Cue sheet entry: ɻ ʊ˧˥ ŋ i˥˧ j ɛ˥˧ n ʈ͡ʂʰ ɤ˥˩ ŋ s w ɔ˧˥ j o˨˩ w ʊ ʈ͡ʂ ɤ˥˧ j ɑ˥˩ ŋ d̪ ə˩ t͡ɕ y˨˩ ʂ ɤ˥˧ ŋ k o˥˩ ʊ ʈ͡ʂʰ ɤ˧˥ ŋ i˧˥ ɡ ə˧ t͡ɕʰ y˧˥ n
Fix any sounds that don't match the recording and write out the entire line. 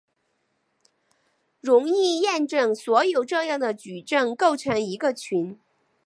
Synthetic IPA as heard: ɻ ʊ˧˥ ŋ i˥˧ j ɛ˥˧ n ʈ͡ʂ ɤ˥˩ ŋ s w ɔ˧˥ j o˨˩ ʊ ʈ͡ʂ ɤ˥˧ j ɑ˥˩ ŋ d̪ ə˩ t͡ɕ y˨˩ ʈ͡ʂ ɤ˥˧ ŋ k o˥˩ ʊ ʈ͡ʂʰ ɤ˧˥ ŋ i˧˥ ɡ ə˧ t͡ɕʰ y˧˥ n